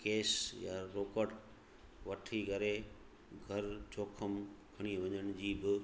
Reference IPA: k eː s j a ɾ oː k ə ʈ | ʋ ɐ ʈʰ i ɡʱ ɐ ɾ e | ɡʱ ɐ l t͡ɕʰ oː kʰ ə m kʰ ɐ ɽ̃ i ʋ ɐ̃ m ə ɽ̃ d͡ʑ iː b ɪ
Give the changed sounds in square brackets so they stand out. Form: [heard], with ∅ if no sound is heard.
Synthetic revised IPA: k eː s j a ɾ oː k ə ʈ | ʋ ɐ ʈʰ i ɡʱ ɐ ɾ e | ɡʱ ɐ [ɾ] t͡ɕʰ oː kʰ ə m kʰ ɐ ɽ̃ i ʋ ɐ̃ [ɲ] ə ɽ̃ d͡ʑ iː b ɪ